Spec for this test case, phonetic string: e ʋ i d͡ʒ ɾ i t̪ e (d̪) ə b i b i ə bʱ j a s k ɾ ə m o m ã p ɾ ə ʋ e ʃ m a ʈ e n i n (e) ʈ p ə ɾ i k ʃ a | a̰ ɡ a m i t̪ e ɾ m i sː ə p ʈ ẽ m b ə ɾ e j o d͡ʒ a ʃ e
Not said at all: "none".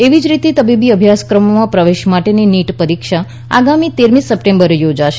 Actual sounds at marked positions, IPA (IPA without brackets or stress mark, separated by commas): t̪, i